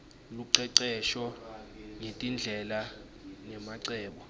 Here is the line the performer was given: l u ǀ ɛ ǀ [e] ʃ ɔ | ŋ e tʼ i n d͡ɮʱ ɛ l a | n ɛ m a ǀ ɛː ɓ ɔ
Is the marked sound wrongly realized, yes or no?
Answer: yes